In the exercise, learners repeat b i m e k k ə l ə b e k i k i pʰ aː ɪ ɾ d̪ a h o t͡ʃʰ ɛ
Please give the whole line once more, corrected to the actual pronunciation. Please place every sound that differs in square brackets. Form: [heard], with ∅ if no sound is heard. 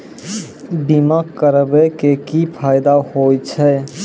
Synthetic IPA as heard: b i m [a] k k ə [ɾ] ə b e k [e] k i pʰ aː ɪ [∅] d̪ a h o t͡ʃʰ ɛ